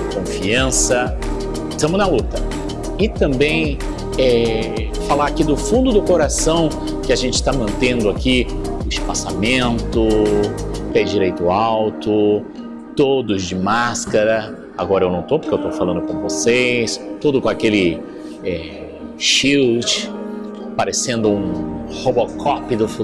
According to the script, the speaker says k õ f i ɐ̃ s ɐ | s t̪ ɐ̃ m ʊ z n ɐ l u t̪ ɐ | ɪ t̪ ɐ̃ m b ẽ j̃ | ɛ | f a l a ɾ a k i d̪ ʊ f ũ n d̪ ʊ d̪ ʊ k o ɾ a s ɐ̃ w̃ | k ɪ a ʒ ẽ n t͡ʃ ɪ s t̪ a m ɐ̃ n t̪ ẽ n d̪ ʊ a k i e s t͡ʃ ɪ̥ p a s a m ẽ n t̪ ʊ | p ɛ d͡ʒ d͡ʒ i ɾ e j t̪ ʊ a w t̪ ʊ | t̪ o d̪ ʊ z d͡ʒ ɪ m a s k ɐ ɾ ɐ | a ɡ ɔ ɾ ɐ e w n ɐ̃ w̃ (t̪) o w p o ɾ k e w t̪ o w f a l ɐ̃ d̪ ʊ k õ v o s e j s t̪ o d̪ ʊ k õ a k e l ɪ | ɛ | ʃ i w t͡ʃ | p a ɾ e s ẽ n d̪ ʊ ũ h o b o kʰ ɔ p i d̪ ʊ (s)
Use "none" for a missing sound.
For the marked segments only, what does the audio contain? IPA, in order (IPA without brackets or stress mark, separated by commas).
t̪, f